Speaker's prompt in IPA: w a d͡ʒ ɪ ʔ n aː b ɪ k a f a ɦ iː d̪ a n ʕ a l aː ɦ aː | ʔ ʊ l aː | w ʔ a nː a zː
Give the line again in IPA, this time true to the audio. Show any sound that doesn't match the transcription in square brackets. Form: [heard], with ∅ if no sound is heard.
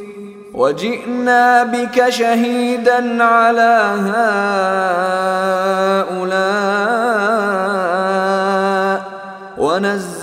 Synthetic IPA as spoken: w a d͡ʒ ɪ ʔ n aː b ɪ k a [ʃ] a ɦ iː d̪ a n ʕ a l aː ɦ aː | ʔ ʊ l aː | w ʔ a [n] a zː